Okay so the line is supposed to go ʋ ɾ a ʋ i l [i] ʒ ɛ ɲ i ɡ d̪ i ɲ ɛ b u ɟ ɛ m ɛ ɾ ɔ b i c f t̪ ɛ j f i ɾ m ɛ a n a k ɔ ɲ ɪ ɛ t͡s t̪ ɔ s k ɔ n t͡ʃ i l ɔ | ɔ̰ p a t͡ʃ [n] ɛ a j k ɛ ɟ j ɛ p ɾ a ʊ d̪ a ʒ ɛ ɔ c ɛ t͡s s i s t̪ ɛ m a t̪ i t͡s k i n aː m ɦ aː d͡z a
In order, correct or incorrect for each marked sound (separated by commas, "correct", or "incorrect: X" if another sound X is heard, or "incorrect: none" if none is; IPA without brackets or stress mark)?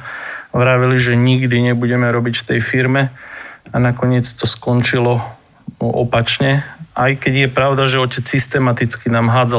correct, incorrect: ɲ